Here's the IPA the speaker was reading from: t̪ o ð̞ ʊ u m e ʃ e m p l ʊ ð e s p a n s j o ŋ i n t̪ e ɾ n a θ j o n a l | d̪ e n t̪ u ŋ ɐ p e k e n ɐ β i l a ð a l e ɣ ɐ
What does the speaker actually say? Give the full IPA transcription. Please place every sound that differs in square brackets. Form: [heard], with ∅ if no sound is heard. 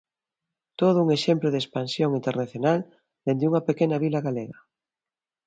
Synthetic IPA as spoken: t̪ o ð̞ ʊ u [ŋ] e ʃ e m p l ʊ ð e s p a n s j o ŋ i n t̪ e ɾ n a θ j o n a l | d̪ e n [d̪] u ŋ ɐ p e k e n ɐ β i l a [ɣ] a l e ɣ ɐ